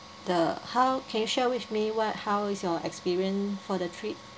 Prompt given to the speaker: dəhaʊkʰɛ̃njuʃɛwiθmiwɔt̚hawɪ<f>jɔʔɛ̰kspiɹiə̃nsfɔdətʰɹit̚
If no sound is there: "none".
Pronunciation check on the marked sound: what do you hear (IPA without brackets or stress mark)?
s